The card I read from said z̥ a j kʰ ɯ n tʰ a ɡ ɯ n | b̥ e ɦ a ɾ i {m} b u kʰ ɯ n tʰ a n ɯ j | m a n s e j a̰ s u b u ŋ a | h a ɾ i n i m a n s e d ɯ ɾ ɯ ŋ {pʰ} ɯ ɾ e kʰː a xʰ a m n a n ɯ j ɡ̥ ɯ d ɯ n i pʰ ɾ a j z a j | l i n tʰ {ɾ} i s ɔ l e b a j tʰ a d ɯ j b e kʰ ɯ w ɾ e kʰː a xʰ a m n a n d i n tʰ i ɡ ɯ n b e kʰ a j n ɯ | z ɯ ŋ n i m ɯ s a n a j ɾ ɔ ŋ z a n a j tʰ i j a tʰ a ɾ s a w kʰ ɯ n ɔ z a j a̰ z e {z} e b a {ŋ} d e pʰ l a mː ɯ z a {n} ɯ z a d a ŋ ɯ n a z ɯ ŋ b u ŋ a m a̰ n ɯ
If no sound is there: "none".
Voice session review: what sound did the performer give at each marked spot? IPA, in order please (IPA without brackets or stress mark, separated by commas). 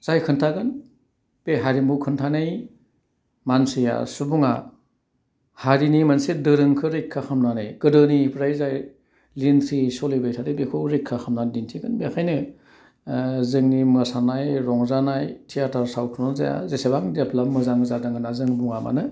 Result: m, kʰ, ɾ, s, ŋ, ŋ